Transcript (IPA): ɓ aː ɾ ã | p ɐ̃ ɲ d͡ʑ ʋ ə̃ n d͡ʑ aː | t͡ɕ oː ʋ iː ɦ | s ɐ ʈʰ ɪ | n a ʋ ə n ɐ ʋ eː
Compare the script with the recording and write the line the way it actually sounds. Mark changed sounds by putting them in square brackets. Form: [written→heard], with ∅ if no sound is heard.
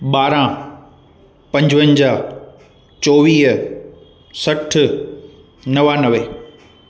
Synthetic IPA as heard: ɓ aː ɾ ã | p ɐ̃ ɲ d͡ʑ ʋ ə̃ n d͡ʑ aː | t͡ɕ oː ʋ iː ɦ | s ɐ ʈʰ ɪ | n [a→ɐ] ʋ [ə→a] n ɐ ʋ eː

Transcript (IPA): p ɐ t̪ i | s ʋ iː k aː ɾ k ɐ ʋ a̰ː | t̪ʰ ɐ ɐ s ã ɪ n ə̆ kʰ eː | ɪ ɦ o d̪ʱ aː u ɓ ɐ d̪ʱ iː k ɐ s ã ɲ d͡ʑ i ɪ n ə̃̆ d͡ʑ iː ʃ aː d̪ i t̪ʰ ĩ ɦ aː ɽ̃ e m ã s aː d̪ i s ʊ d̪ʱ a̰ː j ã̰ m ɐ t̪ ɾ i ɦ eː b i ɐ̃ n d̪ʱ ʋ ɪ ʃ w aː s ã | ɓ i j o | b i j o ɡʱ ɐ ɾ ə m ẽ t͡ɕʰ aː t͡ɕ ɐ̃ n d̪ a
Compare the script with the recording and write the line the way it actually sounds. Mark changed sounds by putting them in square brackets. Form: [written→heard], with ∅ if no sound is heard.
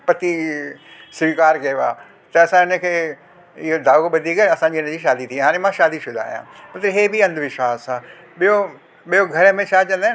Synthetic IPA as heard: p ɐ t̪ i | s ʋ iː k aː ɾ k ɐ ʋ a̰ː | [t̪ʰ→t̪] ɐ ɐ s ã ɪ n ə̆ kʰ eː | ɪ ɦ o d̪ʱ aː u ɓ ɐ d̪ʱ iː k ɐ s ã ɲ d͡ʑ i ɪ n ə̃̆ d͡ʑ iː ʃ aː d̪ i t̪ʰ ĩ ɦ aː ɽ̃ e m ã [s→ʃ] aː d̪ i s ʊ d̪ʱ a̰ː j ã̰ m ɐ t̪ ɾ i ɦ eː b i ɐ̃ n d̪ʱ ʋ ɪ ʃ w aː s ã | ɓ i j o | [b→ɓ] i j o ɡʱ ɐ ɾ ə m ẽ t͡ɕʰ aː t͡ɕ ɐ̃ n d̪ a

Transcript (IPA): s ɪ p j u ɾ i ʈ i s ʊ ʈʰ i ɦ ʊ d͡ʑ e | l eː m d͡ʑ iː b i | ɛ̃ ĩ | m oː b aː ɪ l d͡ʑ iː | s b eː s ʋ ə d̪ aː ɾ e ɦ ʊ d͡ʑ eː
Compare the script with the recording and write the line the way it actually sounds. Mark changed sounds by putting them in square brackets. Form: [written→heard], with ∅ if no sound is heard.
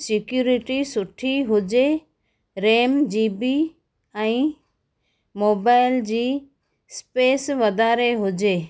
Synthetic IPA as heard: s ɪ [p→k] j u ɾ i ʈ i s ʊ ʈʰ i ɦ ʊ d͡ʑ e | [l→ɾ] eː m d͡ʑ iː b i | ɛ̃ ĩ | m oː b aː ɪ l d͡ʑ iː | s [b→p] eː s ʋ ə d̪ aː ɾ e ɦ ʊ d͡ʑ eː

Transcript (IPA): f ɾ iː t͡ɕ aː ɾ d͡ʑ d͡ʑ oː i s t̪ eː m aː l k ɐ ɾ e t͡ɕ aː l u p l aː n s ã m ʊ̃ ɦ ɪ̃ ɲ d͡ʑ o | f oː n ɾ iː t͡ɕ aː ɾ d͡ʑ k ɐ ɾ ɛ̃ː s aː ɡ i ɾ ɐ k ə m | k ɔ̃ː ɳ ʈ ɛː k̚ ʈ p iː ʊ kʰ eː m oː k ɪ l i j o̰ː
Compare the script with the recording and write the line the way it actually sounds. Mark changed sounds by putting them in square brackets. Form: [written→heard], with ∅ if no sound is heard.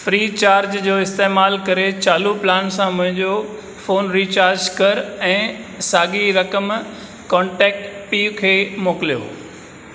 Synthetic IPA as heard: f ɾ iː t͡ɕ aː ɾ d͡ʑ d͡ʑ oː [i→ɪ] s t̪ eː m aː l k ɐ ɾ e t͡ɕ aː l u p l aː n s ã m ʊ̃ ɦ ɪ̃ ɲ d͡ʑ o | f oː n ɾ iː t͡ɕ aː ɾ d͡ʑ k ɐ ɾ ɛ̃ː s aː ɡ i ɾ ɐ k ə m | k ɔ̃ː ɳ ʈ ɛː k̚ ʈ p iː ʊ kʰ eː m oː k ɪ l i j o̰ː

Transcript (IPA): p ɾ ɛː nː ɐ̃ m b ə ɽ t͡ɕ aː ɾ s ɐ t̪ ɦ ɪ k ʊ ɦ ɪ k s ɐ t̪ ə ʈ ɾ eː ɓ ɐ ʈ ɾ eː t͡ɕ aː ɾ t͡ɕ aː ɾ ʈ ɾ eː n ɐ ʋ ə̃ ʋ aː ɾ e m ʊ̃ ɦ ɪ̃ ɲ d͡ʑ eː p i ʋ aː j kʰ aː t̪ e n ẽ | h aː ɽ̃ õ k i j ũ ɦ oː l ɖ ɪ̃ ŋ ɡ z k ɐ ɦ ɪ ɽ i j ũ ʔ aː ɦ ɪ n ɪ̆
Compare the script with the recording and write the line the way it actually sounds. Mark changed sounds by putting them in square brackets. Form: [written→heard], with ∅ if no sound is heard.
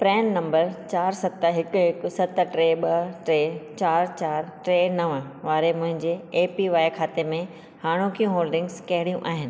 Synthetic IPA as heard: p ɾ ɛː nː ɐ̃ m b ə [ɽ→ɾ] t͡ɕ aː ɾ s ɐ t̪ ɦ ɪ k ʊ ɦ ɪ k s ɐ t̪ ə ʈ ɾ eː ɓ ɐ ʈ ɾ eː t͡ɕ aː ɾ t͡ɕ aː ɾ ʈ ɾ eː n ɐ ʋ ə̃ ʋ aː ɾ e m ʊ̃ ɦ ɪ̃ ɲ d͡ʑ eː p i ʋ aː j kʰ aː t̪ e [n→m] ẽ | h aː ɽ̃ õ k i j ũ ɦ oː l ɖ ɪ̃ ŋ ɡ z k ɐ ɦ ɪ ɽ i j ũ ʔ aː ɦ ɪ n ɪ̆

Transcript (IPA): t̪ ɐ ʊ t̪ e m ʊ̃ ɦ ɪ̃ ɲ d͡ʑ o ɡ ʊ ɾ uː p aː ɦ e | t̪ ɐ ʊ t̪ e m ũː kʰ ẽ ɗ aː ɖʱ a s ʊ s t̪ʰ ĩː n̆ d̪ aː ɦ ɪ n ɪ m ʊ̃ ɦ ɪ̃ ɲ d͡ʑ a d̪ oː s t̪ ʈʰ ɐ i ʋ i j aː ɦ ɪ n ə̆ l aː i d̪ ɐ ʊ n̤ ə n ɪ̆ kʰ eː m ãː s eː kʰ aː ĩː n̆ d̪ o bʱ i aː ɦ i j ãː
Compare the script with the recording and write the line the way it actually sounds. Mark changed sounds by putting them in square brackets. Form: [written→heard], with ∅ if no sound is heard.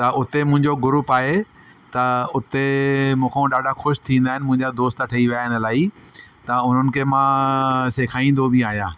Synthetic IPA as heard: t̪ ɐ ʊ t̪ e m ʊ̃ ɦ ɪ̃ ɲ d͡ʑ o ɡ ʊ ɾ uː p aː ɦ e | t̪ ɐ ʊ t̪ e m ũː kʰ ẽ ɗ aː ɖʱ a [s→x] ʊ [s→ʃ] t̪ʰ ĩː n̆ d̪ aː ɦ ɪ n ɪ m ʊ̃ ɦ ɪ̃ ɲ d͡ʑ a d̪ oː s t̪ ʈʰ ɐ i ʋ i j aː ɦ ɪ n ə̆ l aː i [d̪→t̪] ɐ ʊ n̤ ə n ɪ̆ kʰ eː m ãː s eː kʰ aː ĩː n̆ d̪ o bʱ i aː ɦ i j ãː

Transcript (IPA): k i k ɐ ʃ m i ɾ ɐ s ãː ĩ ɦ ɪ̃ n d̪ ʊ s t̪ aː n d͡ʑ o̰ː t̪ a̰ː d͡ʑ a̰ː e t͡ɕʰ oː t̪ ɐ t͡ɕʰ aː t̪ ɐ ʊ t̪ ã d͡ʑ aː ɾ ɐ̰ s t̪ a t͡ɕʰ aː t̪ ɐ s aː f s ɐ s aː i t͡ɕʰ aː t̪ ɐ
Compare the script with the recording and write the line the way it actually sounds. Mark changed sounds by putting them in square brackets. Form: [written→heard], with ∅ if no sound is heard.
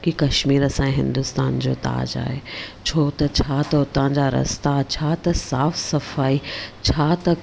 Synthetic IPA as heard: k i k ɐ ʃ m [i→iː] ɾ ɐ s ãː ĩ ɦ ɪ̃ n d̪ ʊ s t̪ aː n d͡ʑ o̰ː t̪ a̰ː d͡ʑ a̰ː e t͡ɕʰ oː t̪ ɐ t͡ɕʰ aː t̪ ɐ ʊ t̪ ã d͡ʑ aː ɾ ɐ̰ s t̪ a t͡ɕʰ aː t̪ ɐ s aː f s ɐ [s→f] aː i t͡ɕʰ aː t̪ ɐ

